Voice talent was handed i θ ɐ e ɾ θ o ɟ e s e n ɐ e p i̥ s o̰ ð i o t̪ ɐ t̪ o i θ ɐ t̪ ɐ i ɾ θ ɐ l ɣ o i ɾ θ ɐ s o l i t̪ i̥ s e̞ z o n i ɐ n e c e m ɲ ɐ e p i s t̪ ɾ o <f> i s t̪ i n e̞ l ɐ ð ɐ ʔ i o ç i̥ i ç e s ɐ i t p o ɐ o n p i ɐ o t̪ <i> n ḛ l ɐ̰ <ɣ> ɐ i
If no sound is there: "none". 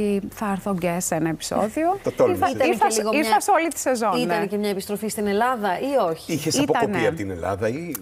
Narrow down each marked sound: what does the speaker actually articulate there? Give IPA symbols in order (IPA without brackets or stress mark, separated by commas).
f, i, ð